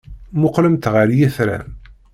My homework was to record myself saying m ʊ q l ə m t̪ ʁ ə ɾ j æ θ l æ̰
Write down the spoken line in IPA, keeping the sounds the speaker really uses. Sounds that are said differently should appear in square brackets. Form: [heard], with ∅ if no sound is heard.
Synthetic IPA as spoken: m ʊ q l ə m t̪ ʁ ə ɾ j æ θ [ɾ] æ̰